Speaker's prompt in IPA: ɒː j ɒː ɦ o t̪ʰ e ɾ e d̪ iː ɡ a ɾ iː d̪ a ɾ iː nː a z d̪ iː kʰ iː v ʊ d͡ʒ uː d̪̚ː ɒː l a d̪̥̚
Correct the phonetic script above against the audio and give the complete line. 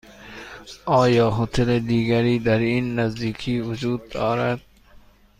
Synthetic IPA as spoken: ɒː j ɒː ɦ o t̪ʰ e l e d̪ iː ɡ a ɾ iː d̪ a ɾ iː nː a z d̪ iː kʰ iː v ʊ d͡ʒ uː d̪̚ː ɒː ɾ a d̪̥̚